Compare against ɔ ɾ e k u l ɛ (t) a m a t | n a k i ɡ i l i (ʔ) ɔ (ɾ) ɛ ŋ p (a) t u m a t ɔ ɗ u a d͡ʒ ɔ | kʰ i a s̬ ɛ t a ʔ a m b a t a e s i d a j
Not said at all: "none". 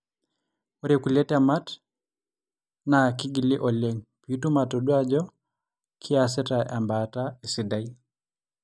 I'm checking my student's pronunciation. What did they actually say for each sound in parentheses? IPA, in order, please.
t, ʔ, l, i

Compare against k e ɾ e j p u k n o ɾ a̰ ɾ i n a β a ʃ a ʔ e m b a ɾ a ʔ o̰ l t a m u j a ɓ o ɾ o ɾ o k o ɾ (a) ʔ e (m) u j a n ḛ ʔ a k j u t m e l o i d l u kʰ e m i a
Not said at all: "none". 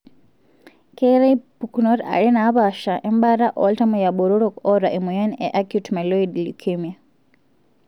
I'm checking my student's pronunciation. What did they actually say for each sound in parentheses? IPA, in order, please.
a, m

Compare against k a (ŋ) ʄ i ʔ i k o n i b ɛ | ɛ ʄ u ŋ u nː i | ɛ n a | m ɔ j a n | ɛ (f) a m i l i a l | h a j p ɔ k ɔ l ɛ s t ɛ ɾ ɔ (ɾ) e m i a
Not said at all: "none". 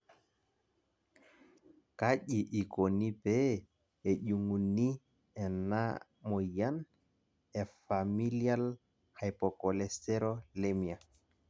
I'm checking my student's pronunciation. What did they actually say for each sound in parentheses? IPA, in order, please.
none, f, l

